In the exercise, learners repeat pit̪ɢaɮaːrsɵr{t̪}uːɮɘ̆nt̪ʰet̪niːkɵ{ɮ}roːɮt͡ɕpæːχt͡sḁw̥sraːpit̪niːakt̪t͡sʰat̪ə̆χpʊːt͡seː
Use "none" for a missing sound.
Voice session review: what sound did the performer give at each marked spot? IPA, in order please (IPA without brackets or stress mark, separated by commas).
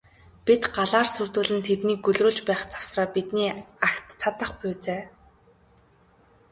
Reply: t̪, ɮ